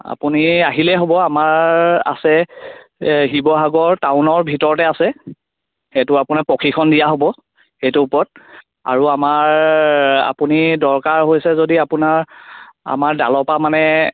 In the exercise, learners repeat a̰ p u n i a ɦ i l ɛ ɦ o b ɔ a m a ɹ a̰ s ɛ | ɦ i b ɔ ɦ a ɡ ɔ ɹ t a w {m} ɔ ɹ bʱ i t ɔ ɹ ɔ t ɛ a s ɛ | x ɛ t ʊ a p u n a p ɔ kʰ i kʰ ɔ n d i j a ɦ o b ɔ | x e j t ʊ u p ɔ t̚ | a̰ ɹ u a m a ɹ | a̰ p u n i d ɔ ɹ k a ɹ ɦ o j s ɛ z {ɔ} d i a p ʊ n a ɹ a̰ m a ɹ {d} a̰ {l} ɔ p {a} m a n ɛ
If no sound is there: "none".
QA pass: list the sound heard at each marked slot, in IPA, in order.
n, o, d, l, a

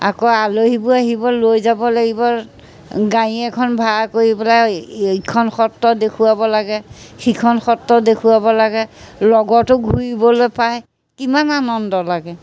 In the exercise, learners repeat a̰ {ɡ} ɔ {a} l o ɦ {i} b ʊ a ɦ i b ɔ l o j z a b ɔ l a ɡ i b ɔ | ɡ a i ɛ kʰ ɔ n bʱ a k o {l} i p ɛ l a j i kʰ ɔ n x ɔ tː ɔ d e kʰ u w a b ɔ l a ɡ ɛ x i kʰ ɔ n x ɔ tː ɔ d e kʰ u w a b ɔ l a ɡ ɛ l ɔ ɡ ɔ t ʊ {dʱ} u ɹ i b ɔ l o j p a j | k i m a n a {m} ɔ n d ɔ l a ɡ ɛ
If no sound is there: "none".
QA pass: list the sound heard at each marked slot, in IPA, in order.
k, a, i, ɹ, ɡʱ, n

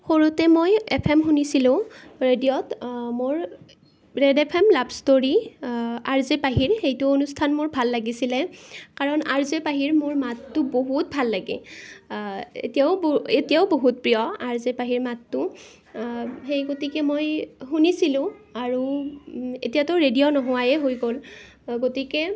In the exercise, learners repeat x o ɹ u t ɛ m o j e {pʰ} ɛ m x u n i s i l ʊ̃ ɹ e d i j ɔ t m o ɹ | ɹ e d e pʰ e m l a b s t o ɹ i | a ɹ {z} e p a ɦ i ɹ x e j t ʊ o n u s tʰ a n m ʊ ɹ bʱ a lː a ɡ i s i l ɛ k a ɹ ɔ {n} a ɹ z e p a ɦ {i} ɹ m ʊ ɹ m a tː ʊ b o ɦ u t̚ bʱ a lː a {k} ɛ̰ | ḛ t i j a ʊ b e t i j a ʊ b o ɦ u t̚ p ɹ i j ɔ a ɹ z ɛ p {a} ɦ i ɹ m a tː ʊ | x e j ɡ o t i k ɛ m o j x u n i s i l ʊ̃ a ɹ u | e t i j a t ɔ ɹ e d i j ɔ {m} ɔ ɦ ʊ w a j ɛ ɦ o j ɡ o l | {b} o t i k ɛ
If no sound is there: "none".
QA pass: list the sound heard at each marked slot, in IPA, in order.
pʰ, z, n, i, ɡ, a, n, ɡ

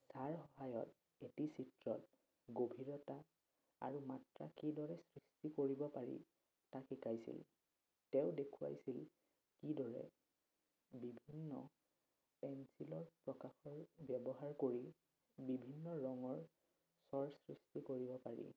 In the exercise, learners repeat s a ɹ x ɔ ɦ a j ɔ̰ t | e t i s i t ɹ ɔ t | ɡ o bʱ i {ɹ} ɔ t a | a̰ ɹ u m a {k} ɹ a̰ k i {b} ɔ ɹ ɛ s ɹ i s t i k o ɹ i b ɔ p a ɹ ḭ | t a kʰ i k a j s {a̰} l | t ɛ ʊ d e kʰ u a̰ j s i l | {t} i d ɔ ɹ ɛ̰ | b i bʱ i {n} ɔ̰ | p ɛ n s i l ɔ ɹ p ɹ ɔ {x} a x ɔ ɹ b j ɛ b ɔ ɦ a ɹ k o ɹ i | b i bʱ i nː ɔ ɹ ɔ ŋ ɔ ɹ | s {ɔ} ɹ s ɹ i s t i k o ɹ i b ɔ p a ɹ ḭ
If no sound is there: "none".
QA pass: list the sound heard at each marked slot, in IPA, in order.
ɹ, t, d, ḭ, k, nː, k, ɔ

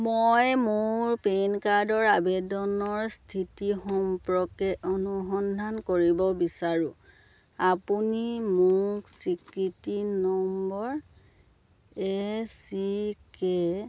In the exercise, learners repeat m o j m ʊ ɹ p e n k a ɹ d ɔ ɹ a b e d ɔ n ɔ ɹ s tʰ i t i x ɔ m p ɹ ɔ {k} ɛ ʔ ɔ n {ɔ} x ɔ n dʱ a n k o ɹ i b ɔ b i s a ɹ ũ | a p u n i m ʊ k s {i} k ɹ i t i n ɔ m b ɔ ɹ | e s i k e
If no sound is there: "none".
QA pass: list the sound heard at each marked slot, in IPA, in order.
k, u, i

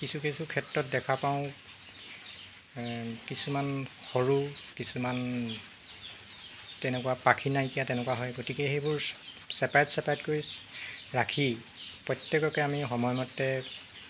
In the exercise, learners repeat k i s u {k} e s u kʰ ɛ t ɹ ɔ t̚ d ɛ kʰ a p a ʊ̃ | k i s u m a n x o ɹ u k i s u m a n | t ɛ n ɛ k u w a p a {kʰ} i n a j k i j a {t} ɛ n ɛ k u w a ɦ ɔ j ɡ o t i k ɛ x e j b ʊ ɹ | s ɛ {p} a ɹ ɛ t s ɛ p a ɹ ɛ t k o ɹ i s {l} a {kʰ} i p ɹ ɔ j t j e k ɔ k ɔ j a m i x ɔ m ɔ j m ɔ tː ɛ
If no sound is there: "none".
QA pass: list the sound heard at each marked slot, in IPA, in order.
k, kʰ, t, p, ɹ, kʰ

